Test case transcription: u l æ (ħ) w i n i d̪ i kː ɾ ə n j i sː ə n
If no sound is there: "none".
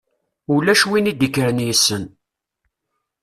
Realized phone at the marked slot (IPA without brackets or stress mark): ʃ